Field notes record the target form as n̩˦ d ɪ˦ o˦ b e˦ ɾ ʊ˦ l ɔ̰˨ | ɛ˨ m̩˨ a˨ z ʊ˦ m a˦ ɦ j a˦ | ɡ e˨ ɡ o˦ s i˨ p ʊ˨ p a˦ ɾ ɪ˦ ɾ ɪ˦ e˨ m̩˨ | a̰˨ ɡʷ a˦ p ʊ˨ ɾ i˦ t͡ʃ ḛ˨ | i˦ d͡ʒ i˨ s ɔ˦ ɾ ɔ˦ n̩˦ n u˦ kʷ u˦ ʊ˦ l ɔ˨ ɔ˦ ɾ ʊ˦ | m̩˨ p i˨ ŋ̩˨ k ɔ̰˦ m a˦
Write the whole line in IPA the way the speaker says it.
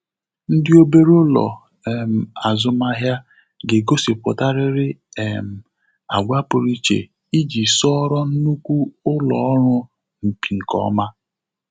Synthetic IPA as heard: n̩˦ d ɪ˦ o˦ b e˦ ɾ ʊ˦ l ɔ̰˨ | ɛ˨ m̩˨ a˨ z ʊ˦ m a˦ ɦ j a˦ | ɡ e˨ ɡ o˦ s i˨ p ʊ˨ t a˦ ɾ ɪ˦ ɾ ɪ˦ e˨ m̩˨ | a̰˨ ɡʷ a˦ p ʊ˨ ɾ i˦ t͡ʃ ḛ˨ | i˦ d͡ʒ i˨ s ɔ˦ ɾ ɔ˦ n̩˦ n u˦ kʷ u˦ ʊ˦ l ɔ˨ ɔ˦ ɾ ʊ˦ | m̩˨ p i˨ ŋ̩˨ k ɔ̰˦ m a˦